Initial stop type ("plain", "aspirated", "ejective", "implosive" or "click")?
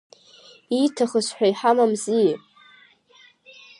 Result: aspirated